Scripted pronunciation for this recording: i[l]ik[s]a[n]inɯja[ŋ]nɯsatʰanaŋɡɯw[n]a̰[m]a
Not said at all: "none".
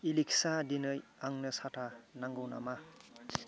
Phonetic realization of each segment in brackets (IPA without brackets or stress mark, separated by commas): l, s, d, ŋ, n, m